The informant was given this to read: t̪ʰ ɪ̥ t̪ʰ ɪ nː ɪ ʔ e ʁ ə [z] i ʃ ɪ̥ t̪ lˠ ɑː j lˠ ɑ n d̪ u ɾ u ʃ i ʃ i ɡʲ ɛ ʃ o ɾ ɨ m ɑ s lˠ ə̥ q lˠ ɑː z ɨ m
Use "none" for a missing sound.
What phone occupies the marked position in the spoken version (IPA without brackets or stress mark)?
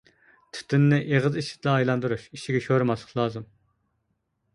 z